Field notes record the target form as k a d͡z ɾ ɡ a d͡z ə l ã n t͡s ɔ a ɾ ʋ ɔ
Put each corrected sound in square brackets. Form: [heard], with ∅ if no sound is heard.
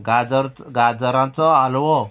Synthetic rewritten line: [ɡ] a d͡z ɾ ɡ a d͡z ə [ɾ] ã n t͡s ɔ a [l] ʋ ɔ